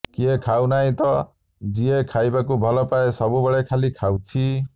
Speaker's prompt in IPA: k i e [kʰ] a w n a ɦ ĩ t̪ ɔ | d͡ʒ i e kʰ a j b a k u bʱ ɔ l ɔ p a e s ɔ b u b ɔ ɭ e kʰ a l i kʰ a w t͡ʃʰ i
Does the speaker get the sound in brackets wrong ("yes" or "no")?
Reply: no